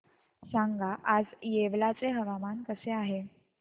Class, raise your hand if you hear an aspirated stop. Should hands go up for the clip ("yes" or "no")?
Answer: no